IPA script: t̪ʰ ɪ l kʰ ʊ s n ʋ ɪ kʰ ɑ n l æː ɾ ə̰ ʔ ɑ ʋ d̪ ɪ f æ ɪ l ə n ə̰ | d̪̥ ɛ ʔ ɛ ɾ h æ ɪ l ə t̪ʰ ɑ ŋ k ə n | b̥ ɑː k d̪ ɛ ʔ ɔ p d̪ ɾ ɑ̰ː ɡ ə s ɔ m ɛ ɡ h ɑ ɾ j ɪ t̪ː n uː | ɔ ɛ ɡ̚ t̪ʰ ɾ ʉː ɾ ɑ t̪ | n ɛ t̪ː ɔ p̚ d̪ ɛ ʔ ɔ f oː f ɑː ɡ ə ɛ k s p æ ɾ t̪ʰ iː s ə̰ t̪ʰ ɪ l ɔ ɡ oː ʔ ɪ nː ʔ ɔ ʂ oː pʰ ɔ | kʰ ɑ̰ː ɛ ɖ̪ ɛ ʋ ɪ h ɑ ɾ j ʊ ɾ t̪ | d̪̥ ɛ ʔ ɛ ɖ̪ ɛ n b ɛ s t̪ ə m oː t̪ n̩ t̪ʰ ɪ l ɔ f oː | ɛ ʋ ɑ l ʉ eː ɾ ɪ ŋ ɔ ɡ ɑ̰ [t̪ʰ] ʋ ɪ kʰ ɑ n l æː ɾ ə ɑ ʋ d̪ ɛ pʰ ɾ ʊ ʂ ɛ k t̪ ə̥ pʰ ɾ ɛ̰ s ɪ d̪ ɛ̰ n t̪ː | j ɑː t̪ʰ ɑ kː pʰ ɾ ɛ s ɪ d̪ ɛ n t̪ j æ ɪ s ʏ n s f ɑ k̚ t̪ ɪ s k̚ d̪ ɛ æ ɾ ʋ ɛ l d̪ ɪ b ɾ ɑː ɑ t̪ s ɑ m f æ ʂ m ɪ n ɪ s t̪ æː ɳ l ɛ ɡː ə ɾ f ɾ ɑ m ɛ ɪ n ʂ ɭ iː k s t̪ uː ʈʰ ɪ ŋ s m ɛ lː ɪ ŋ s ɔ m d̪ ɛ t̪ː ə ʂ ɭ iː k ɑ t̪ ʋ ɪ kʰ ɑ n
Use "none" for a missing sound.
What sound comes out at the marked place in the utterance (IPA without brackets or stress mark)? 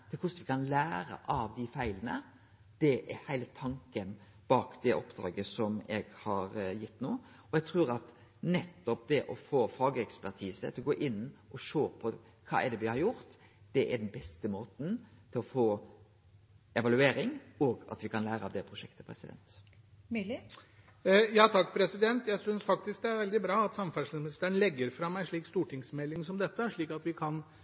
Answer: t̪